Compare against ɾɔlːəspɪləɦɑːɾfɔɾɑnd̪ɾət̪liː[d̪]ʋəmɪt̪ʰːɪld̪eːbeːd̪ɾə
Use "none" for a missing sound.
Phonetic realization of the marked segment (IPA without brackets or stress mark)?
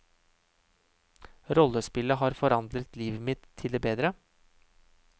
none